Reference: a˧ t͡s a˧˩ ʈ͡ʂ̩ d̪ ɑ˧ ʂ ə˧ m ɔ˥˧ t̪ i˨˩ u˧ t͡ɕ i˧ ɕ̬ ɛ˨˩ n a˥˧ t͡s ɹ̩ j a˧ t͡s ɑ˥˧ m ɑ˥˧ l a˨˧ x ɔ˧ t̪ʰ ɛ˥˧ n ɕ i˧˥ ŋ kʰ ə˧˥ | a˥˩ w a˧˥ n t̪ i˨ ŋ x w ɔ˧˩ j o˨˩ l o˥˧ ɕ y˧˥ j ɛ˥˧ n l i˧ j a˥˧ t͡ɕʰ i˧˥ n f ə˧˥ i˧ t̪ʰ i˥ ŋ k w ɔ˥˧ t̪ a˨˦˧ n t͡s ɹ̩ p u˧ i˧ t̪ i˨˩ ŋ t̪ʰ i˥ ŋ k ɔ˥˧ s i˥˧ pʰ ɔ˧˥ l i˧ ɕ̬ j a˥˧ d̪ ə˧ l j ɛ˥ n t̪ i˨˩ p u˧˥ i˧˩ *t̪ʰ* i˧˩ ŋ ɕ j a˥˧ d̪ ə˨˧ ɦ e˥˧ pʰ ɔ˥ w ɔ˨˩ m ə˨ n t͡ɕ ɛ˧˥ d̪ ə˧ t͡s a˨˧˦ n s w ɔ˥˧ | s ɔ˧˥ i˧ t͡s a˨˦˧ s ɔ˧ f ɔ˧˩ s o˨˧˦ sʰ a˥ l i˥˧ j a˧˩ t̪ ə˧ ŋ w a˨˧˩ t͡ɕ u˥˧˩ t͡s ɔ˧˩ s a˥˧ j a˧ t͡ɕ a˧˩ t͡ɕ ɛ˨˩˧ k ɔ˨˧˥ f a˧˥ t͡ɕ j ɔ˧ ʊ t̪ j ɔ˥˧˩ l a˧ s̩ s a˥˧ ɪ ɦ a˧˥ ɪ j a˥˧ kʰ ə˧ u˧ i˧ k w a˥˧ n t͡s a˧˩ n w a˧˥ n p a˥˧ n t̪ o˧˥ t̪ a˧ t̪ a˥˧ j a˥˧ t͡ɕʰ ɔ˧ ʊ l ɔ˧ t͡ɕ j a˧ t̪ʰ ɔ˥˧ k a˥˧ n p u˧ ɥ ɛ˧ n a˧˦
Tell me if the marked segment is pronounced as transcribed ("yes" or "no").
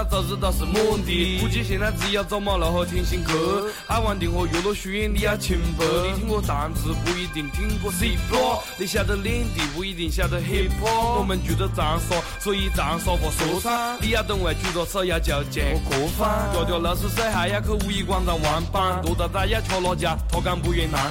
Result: no